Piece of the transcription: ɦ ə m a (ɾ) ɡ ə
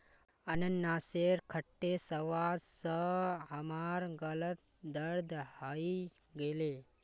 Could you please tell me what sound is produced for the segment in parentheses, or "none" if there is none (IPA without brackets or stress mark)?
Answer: ɾ